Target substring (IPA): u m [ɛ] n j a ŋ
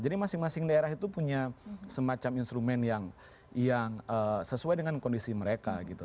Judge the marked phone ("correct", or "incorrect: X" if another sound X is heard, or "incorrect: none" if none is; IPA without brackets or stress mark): correct